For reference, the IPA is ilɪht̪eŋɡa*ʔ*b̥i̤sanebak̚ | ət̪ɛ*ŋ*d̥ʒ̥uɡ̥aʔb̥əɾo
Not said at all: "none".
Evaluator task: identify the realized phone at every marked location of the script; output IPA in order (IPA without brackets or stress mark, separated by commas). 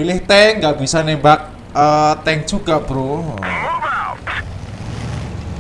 ʔ, ŋ